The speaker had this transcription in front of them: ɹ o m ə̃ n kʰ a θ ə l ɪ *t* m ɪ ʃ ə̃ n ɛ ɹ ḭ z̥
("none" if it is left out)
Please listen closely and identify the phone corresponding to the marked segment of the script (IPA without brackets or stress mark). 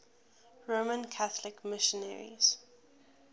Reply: k